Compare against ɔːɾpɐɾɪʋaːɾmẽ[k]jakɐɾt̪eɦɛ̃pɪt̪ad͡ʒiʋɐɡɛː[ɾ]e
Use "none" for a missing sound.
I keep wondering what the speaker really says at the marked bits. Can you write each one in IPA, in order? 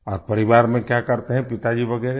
k, ɾ

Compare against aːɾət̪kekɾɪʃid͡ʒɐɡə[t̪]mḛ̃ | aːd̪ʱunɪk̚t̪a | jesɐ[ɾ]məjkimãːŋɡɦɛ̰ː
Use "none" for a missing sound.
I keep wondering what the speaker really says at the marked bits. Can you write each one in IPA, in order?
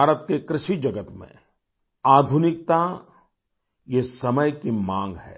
t̪, none

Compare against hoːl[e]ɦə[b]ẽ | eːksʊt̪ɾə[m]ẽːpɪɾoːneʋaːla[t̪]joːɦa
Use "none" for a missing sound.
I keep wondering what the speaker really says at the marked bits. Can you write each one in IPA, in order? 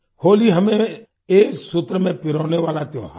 i, m, m, t̪

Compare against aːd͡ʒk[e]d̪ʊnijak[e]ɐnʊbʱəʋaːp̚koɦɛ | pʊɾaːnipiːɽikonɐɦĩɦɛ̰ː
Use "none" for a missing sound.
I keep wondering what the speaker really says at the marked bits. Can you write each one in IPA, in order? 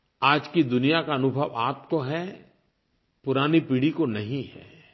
i, a

